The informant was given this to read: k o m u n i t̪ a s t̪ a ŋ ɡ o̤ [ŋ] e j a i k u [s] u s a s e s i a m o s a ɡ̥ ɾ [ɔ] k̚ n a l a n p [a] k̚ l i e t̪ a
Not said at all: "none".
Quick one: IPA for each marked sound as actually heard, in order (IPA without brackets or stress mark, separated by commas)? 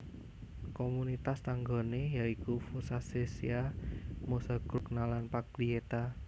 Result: n, f, u, a